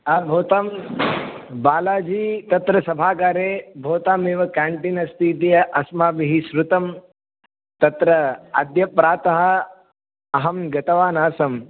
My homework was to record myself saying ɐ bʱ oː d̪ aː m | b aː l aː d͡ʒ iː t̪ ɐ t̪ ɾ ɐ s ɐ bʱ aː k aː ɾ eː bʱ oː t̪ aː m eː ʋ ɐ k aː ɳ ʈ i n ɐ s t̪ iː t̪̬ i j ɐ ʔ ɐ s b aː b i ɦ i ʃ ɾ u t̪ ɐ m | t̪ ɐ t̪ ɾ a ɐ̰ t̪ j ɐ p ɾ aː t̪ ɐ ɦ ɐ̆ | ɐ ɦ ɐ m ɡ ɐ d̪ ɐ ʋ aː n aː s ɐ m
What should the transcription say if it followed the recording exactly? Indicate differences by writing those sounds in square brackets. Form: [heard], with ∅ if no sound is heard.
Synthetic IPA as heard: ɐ bʱ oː [t̪] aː m | b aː l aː d͡ʒ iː t̪ ɐ t̪ ɾ ɐ s ɐ bʱ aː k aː ɾ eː bʱ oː t̪ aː m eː ʋ ɐ k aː ɳ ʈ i n ɐ s t̪ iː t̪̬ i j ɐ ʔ ɐ s [m] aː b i ɦ i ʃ ɾ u t̪ ɐ m | t̪ ɐ t̪ ɾ [ɐ] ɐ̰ [d̪] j ɐ p ɾ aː t̪ ɐ ɦ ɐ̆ | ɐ ɦ ɐ m ɡ ɐ [t̪] ɐ ʋ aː n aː s ɐ m